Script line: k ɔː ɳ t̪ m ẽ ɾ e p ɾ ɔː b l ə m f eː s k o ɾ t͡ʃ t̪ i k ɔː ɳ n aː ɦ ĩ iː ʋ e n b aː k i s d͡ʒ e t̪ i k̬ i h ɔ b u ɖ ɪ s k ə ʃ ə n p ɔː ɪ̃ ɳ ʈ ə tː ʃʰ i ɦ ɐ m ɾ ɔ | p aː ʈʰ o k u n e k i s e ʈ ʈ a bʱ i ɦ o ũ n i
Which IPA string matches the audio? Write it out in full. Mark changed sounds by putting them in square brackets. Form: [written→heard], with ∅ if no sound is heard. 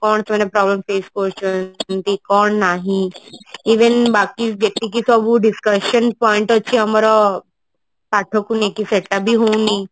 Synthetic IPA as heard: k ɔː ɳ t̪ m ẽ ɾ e p ɾ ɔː b l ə m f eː s k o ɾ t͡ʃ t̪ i k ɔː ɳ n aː ɦ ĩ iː ʋ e n b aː k i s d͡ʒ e t̪ i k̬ i [h→s] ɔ b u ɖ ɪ s k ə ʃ ə n p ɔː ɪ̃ ɳ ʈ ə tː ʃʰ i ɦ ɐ m ɾ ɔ | p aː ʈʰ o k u n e k i s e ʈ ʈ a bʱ i ɦ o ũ n i